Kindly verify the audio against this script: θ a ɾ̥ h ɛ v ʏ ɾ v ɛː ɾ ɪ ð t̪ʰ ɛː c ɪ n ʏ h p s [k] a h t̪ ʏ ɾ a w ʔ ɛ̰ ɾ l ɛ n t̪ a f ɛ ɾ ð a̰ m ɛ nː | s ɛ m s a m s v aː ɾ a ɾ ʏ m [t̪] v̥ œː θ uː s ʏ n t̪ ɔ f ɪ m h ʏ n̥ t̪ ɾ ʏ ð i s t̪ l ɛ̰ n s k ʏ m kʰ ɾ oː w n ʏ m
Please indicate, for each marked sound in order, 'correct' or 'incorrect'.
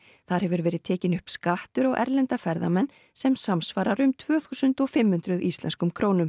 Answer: correct, incorrect

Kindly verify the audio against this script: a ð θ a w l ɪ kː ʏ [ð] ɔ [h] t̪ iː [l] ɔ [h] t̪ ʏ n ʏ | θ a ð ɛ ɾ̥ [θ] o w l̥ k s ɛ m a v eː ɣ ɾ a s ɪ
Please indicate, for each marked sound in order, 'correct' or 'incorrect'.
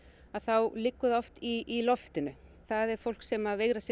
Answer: correct, incorrect, correct, incorrect, incorrect

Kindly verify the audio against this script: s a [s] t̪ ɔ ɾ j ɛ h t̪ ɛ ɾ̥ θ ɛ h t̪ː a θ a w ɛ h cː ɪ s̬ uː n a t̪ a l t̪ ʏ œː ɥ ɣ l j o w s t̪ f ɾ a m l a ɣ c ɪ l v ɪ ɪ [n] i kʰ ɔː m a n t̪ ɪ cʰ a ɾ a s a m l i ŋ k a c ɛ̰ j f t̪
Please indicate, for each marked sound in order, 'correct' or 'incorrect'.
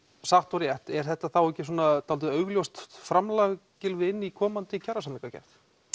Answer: incorrect, incorrect

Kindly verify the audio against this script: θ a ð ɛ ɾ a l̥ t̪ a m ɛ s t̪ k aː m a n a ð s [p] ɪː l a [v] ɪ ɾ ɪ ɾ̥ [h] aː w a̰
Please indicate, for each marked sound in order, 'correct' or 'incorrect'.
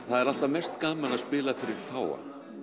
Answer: correct, incorrect, incorrect

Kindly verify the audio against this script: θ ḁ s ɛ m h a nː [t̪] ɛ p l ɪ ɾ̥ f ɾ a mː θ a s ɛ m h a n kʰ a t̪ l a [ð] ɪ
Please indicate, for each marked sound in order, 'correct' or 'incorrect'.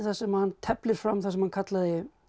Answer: incorrect, correct

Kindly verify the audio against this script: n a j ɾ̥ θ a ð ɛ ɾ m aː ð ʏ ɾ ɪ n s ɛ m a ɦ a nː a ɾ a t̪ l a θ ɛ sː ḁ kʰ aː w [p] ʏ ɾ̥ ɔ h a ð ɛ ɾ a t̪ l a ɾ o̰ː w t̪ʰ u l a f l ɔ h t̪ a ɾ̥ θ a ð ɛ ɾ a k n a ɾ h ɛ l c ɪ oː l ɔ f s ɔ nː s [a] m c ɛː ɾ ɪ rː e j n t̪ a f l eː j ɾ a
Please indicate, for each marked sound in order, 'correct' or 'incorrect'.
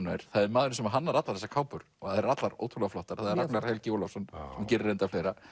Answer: correct, incorrect

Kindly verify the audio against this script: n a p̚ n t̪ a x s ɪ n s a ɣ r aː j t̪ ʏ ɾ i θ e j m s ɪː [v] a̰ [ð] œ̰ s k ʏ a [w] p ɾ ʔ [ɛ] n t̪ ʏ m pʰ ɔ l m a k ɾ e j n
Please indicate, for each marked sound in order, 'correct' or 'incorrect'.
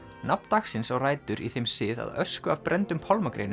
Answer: incorrect, correct, incorrect, correct

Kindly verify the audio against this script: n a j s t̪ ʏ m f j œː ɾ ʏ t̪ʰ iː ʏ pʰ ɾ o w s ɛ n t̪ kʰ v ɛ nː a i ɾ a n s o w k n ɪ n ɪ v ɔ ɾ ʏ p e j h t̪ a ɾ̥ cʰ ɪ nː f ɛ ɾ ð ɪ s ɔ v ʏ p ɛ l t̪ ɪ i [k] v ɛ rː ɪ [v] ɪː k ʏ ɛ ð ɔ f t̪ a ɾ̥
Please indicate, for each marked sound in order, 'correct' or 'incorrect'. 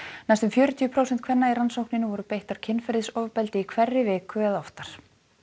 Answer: incorrect, correct

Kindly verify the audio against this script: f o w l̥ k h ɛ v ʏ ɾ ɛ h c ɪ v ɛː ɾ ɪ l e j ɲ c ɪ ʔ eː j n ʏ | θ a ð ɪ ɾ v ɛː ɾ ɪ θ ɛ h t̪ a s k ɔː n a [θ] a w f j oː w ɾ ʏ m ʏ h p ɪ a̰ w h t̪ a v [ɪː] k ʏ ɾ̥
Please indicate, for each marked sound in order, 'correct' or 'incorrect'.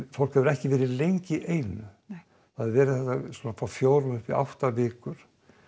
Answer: incorrect, correct

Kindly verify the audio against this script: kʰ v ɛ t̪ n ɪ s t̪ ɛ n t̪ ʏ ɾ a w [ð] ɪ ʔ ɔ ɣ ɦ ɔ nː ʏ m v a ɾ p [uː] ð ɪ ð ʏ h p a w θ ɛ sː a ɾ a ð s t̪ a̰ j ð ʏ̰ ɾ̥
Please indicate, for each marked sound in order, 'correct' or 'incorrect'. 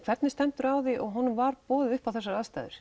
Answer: correct, incorrect

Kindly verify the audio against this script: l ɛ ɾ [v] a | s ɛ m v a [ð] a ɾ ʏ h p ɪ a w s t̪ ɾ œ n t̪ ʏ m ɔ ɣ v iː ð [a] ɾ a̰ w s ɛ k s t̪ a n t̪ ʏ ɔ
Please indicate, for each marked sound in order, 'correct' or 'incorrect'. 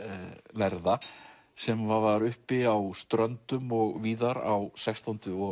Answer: incorrect, incorrect, correct

